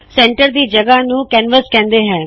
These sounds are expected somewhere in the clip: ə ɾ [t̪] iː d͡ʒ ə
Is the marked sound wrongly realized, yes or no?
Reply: yes